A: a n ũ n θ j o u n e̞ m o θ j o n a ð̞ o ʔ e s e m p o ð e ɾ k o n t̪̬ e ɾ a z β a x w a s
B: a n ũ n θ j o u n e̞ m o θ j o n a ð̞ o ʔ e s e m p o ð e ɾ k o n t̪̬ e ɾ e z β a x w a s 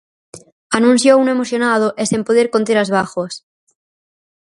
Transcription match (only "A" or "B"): A